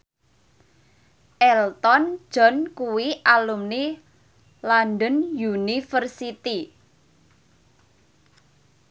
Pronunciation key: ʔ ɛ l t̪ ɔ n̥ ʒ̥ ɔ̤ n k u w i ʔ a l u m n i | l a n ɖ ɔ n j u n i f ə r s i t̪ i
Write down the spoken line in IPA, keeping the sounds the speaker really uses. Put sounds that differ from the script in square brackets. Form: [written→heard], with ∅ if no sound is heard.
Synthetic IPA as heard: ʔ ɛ l t̪ ɔ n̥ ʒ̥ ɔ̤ n k u w i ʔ a l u m n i | l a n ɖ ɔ n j u n i f ə r s i t̪ i